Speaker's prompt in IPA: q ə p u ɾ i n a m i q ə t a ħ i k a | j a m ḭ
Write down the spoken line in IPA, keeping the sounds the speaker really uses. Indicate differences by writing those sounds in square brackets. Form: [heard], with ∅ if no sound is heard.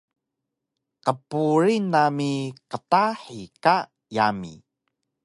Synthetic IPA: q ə p u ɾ i n a m i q ə t a ħ i k a | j a m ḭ